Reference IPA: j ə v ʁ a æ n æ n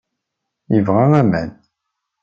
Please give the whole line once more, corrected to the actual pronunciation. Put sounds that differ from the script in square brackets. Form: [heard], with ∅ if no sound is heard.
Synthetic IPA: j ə v ʁ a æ [m] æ n